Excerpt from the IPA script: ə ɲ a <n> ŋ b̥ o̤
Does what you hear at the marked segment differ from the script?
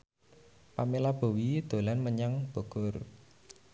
yes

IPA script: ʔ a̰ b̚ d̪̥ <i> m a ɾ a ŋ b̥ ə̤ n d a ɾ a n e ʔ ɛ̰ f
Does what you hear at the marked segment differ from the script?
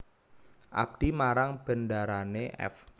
no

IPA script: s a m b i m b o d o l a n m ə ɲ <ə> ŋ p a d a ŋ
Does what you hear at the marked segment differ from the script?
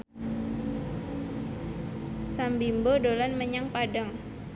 yes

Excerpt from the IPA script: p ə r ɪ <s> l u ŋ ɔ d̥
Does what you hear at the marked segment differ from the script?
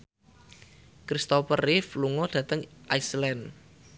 yes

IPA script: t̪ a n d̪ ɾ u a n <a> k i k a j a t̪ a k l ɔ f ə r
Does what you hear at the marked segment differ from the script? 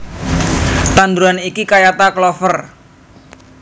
yes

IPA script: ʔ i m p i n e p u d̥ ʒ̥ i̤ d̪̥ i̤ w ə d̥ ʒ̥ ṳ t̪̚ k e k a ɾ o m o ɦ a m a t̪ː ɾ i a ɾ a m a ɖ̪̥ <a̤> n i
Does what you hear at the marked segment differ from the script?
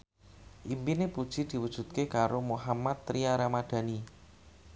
no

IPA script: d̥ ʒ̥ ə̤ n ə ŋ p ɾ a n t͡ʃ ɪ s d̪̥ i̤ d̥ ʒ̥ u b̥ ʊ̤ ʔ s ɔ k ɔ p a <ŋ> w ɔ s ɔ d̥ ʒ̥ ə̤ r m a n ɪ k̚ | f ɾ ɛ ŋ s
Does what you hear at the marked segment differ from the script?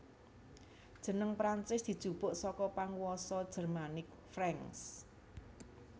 no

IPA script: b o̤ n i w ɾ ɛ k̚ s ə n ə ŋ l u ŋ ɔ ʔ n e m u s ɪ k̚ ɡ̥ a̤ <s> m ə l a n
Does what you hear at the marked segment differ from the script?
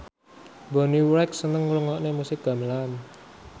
yes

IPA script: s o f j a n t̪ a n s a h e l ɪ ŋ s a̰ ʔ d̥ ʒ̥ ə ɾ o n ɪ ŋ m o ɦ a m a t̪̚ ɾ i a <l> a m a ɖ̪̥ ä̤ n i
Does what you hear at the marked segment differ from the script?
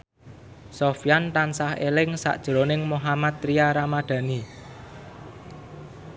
yes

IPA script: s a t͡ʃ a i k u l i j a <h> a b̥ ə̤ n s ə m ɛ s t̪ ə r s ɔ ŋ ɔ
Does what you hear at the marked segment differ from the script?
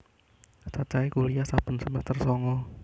yes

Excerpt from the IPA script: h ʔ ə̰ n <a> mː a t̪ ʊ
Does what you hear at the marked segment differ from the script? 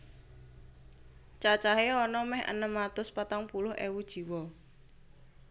yes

